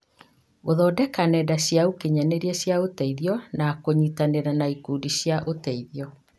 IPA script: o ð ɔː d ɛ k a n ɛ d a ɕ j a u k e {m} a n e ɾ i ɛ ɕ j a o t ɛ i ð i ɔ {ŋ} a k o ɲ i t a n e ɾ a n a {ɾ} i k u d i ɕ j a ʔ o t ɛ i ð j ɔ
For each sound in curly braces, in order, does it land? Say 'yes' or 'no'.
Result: no, no, no

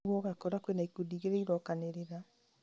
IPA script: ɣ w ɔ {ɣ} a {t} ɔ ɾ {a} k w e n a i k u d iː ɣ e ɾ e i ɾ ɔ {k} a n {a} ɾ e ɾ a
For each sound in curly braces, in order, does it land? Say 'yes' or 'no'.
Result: yes, no, yes, yes, no

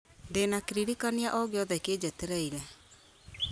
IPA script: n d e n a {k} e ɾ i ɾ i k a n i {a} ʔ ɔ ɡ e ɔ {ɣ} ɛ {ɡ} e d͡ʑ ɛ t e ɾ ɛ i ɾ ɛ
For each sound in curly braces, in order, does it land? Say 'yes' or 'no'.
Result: yes, yes, no, no

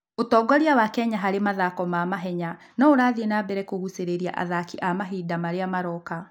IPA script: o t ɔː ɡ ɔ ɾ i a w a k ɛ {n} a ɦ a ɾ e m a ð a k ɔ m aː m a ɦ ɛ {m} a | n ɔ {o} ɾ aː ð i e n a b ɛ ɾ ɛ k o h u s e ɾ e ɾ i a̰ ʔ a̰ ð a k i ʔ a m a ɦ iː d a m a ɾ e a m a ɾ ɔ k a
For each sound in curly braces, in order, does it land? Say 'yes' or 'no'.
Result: no, no, yes

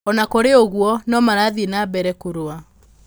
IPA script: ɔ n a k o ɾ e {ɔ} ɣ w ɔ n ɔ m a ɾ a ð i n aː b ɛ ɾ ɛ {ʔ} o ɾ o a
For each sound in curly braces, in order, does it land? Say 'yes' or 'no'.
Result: no, no

